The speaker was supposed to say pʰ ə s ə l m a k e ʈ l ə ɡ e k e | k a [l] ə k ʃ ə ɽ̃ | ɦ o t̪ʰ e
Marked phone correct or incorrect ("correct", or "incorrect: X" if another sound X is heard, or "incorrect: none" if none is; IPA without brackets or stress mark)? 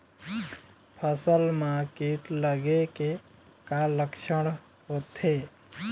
correct